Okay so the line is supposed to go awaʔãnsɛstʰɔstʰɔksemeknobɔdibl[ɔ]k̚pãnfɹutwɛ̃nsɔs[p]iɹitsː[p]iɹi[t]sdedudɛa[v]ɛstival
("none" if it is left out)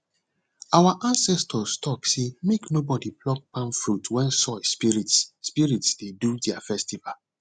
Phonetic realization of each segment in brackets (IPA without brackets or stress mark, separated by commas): ɔ, p, p, t, f